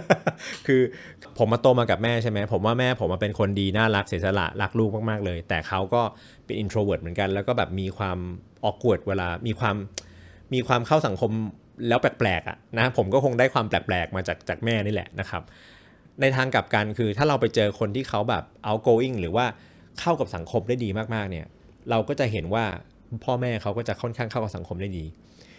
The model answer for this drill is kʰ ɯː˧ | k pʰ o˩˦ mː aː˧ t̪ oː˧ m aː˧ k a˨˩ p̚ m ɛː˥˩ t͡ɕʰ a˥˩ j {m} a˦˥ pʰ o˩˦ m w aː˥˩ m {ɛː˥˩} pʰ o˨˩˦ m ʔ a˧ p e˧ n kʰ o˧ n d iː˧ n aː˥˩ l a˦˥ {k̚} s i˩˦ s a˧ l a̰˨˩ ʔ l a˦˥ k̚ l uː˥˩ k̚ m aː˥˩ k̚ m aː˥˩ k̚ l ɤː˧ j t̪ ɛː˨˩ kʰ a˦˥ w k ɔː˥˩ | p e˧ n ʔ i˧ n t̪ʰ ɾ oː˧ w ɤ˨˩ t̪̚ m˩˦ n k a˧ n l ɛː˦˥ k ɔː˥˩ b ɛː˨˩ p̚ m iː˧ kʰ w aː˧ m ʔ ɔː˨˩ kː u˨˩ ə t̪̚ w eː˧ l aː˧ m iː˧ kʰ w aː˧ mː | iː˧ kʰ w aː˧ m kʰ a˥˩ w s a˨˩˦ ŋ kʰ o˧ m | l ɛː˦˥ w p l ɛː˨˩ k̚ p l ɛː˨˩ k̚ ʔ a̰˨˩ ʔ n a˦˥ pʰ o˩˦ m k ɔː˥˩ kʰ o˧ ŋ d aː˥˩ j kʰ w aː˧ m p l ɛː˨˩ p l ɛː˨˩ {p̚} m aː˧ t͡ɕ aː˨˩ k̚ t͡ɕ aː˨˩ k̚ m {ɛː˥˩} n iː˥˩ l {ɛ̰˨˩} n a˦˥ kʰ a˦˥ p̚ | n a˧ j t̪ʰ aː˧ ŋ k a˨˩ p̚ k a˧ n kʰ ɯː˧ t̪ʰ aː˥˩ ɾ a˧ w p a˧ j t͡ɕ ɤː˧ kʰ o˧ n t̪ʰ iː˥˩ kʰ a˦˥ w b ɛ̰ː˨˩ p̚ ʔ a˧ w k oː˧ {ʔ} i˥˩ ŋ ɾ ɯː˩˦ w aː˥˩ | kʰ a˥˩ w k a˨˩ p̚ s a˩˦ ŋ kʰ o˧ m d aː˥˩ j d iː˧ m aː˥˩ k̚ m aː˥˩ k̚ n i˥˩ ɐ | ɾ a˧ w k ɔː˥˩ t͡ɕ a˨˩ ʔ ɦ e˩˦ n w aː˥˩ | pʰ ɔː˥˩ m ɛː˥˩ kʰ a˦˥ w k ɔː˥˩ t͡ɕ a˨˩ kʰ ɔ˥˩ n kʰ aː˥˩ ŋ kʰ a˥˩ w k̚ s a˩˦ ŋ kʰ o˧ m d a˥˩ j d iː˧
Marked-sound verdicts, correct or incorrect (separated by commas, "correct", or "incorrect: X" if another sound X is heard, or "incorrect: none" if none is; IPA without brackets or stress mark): correct, correct, correct, incorrect: k̚, correct, correct, correct